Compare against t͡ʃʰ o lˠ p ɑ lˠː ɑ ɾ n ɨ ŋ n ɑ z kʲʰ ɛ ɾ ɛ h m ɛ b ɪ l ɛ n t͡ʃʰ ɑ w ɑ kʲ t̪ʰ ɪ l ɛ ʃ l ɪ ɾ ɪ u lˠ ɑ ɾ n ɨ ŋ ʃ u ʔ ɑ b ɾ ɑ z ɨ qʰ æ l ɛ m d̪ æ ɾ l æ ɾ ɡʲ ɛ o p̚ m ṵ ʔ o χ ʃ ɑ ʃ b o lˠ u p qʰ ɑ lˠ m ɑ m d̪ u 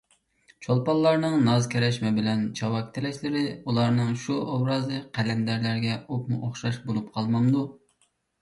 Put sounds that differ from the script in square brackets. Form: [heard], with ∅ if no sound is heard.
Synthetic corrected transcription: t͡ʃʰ o lˠ p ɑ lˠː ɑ ɾ n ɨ ŋ n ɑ z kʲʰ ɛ ɾ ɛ [ʃ] m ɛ b ɪ l ɛ n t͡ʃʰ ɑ w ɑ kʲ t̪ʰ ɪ l ɛ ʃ l ɪ ɾ ɪ u lˠ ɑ ɾ n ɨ ŋ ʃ u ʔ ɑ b ɾ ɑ z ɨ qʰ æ l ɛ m d̪ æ ɾ l æ ɾ ɡʲ ɛ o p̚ m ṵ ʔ o χ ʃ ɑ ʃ b o lˠ u p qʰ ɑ lˠ m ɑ m d̪ u